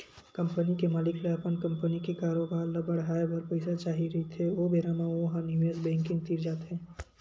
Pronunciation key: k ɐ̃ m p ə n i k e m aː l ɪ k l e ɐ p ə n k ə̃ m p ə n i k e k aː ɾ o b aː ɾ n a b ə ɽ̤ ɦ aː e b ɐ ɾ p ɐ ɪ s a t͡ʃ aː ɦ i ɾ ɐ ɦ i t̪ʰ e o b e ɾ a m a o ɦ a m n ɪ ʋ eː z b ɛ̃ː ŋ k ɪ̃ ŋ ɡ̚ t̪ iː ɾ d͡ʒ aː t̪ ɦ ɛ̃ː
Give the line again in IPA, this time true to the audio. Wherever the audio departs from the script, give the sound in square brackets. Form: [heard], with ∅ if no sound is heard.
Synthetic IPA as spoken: k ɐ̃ m p ə n i k e m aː l ɪ k l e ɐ p ə n k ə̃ m p ə n i k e k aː ɾ o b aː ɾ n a b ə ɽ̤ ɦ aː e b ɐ ɾ p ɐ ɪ s a t͡ʃ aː ɦ i ɾ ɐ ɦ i t̪ʰ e o b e ɾ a m a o ɦ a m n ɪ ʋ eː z b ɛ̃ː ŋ k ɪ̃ ŋ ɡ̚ t̪ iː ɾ d͡ʒ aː t̪ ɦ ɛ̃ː